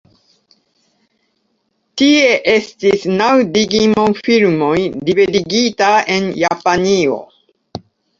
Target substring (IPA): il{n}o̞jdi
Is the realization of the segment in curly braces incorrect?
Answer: yes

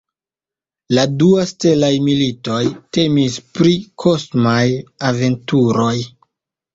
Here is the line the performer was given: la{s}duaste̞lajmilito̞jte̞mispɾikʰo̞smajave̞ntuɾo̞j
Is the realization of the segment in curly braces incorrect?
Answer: yes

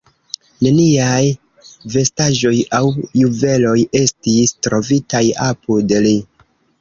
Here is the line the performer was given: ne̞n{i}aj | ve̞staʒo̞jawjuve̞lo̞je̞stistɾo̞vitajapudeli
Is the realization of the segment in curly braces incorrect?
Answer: no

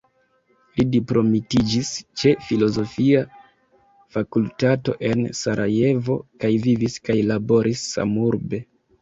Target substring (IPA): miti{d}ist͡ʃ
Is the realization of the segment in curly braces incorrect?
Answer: yes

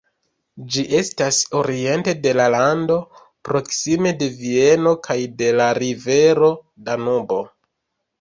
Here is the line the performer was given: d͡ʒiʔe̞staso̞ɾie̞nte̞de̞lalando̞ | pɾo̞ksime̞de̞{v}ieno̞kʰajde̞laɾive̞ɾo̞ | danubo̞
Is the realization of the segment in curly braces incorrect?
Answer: no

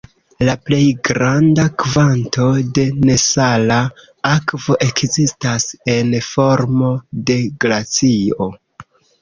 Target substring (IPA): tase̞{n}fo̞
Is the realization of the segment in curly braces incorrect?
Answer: no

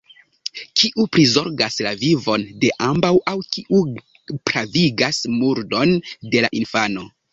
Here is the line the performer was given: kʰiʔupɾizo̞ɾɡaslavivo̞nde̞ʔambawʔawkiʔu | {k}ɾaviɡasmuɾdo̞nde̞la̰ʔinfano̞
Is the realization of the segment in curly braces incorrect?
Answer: yes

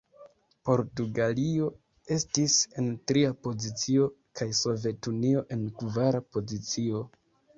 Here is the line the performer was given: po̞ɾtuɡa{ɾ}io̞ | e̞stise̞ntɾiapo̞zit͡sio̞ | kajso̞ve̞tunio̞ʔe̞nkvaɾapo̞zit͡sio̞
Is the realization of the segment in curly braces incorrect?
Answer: yes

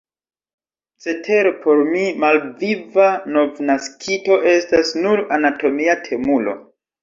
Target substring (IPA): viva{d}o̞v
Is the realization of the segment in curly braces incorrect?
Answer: yes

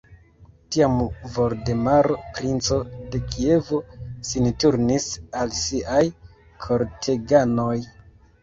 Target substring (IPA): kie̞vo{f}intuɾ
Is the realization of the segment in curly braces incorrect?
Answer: yes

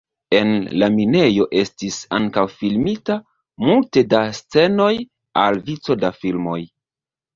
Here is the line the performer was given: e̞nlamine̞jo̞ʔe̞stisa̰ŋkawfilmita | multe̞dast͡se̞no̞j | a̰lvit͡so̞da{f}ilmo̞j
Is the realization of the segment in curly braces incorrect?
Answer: no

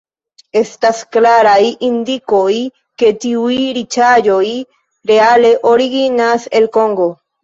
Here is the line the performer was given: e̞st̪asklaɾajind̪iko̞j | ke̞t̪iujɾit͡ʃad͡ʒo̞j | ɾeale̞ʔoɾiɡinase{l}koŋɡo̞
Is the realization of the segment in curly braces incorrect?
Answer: no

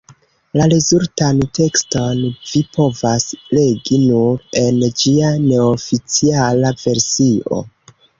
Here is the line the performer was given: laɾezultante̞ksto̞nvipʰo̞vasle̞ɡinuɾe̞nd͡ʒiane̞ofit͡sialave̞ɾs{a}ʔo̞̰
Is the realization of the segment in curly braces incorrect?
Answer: yes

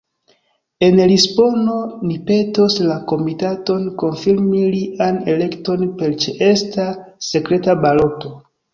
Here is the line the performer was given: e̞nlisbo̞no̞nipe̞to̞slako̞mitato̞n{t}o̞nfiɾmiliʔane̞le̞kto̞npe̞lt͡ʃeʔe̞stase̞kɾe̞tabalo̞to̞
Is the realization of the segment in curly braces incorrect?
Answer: yes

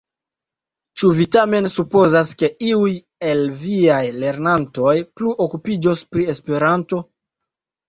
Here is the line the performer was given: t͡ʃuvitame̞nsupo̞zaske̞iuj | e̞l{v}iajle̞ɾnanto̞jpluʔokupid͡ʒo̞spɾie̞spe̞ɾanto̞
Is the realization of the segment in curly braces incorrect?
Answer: no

